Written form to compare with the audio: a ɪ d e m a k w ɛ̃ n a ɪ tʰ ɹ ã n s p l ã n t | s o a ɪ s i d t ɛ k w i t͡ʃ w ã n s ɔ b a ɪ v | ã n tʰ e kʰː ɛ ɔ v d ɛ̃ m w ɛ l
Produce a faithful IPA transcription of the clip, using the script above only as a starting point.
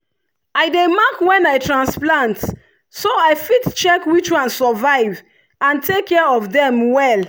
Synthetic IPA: a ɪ d e m a k w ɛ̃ n a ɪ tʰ ɹ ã n s p l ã n t | s o a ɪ f i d t͡ʃ ɛ k w i t͡ʃ w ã n s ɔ v a ɪ v | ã n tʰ e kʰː ɛ ɔ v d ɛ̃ m w ɛ l